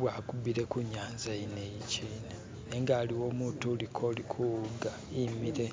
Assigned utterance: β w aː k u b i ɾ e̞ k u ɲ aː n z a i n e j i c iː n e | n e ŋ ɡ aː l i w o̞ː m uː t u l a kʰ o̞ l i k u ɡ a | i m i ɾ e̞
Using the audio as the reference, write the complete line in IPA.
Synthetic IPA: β w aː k u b i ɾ e̞ k u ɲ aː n z a i n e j i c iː n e | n e ŋ ɡ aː l i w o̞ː m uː t u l i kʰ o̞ l i kʰ u ɡ a | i m i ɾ e̞